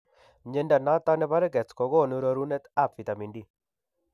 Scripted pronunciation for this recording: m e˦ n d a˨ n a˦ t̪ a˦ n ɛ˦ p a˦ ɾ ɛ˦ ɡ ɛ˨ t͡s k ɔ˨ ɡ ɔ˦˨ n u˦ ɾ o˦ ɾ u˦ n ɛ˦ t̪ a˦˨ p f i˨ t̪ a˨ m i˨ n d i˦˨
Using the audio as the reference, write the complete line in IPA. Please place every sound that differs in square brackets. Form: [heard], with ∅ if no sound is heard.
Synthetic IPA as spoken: [ɲ] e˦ n d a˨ n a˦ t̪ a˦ n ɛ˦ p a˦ ɾ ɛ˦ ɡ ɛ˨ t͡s k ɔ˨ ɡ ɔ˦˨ n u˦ ɾ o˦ ɾ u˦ n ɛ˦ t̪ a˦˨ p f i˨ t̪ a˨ m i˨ n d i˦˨